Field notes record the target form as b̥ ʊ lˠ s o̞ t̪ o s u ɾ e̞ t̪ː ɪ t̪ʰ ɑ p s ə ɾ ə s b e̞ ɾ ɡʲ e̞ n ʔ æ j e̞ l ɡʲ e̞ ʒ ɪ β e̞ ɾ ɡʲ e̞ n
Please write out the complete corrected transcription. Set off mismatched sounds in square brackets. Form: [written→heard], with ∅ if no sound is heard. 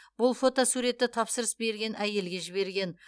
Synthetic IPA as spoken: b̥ ʊ lˠ [s→f] o̞ t̪ o s u ɾ e̞ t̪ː ɪ t̪ʰ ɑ p s ə ɾ ə s b e̞ ɾ ɡʲ e̞ n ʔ æ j e̞ l ɡʲ e̞ ʒ ɪ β e̞ ɾ ɡʲ e̞ n